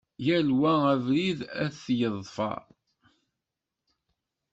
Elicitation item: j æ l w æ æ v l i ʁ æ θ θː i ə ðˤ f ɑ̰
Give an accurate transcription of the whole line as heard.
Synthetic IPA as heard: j æ l w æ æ v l i ð æ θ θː j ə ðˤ f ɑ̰